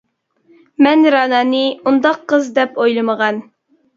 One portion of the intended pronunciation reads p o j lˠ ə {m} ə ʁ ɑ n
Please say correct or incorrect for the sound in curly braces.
correct